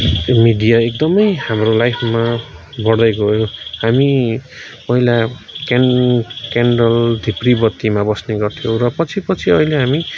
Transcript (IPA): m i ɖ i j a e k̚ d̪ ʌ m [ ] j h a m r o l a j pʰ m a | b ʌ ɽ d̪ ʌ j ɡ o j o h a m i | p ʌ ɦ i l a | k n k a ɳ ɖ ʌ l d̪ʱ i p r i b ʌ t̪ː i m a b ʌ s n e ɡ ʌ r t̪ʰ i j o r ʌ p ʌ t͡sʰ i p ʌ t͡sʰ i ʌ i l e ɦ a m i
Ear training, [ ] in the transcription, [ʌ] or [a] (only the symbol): ʌ